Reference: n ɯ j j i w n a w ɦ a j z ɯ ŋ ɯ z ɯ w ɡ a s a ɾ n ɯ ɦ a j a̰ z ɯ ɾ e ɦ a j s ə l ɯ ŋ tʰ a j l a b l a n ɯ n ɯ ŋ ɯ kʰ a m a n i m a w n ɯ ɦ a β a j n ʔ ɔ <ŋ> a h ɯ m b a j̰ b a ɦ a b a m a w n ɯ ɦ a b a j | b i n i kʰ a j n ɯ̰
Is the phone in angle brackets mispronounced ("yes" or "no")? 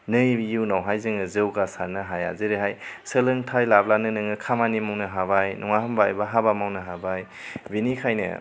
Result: no